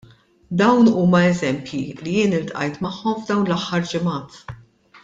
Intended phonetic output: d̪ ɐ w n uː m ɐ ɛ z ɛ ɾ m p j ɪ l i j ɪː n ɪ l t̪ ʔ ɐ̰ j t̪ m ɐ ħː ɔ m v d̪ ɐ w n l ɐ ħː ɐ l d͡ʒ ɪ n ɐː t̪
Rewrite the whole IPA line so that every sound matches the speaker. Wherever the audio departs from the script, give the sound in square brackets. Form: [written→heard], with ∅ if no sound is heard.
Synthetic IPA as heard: d̪ ɐ w n uː m ɐ ɛ z ɛ [ɾ→∅] m p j [ɪ→i] l i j ɪː n ɪ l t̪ ʔ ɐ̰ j t̪ m ɐ ħː ɔ m v d̪ ɐ w n l ɐ ħː ɐ [l→ɾ] d͡ʒ ɪ [n→m] ɐː t̪